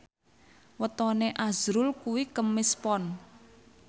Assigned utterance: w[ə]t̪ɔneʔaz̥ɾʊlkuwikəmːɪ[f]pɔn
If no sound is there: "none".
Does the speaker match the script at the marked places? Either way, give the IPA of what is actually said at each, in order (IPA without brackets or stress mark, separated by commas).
ə, s